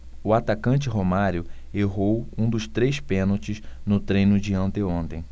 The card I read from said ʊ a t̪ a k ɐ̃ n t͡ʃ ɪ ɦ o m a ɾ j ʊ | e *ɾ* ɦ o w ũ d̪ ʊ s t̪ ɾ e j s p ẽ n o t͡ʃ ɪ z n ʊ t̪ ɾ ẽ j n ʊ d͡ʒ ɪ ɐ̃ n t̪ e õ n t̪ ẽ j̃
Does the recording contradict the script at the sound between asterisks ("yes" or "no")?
yes